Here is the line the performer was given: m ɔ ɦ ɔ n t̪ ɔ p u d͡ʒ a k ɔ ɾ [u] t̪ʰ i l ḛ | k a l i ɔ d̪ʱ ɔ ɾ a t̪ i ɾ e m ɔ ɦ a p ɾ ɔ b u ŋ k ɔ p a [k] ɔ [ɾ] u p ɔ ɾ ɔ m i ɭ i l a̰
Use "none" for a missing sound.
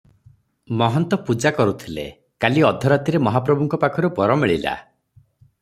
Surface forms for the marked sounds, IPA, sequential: u, kʰ, ɾ

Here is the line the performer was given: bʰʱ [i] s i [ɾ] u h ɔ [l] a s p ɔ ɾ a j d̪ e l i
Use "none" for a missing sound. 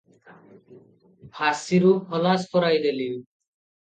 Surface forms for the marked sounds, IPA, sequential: a, ɾ, l

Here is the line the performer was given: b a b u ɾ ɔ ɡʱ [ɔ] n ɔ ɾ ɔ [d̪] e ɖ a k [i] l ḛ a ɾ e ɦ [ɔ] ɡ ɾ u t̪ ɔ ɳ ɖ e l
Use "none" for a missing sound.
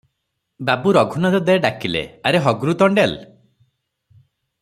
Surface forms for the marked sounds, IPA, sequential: u, d̪, i, ɔ

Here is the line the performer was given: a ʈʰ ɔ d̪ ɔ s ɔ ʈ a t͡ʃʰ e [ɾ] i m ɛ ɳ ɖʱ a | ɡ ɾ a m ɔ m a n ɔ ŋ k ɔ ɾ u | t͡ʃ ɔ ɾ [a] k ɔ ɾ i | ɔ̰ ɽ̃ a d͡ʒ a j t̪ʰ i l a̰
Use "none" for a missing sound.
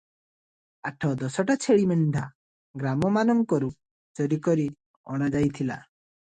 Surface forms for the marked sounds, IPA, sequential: ɭ, i

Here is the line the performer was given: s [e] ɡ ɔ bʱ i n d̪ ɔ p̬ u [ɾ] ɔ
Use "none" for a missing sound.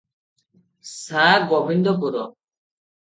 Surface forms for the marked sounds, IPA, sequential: a, ɾ

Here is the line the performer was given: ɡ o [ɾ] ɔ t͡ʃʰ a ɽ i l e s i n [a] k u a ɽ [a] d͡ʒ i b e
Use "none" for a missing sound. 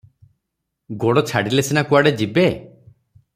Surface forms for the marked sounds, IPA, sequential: ɽ, a, e

